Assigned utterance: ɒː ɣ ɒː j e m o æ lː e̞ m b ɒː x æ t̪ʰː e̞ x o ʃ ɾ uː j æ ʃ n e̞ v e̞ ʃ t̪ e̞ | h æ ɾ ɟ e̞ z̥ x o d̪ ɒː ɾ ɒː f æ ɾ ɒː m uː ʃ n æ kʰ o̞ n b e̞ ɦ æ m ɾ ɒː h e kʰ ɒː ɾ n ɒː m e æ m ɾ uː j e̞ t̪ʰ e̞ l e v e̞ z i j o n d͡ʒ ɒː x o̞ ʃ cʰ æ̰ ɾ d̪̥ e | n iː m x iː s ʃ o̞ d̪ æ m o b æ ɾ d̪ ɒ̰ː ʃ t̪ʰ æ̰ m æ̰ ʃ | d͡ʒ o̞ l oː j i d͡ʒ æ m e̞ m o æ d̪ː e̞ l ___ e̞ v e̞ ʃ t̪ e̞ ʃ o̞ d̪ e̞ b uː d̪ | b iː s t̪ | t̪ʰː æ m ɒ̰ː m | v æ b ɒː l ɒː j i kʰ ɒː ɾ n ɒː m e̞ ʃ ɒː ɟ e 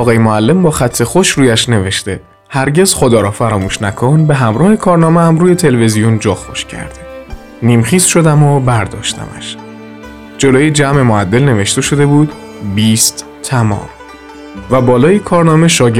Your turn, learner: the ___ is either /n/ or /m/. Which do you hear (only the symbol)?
n